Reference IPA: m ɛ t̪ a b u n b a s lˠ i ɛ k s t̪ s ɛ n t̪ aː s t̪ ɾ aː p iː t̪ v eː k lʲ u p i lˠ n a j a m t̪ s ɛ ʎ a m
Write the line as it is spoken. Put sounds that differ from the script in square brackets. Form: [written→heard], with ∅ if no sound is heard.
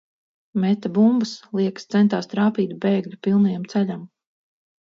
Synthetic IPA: m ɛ t̪ a b u [n→m] b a s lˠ i ɛ k s t̪ s ɛ n t̪ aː s t̪ ɾ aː p iː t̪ [v→b] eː [k→ɡ] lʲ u p i lˠ n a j a m t̪ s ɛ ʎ a m